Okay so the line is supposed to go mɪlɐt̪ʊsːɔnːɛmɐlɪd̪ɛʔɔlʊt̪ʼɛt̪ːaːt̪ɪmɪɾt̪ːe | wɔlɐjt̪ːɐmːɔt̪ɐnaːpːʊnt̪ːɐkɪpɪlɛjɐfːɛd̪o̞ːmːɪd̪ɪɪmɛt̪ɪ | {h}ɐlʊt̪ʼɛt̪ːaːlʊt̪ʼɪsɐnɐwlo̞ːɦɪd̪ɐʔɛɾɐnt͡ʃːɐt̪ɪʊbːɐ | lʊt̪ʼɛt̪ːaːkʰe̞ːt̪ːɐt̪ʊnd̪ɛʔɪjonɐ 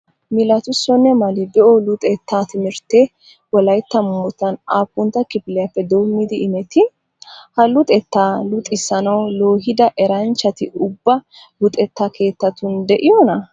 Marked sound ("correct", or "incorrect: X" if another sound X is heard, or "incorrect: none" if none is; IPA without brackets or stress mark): correct